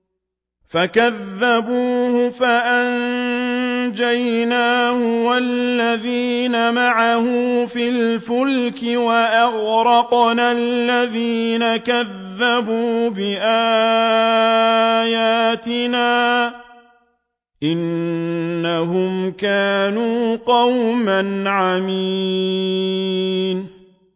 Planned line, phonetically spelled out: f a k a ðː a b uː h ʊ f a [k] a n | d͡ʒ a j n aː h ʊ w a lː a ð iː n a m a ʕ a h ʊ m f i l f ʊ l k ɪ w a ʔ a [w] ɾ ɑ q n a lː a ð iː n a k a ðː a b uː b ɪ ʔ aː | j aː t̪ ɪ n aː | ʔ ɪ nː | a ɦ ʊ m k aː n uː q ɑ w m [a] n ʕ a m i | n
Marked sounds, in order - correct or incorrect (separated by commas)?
incorrect, incorrect, correct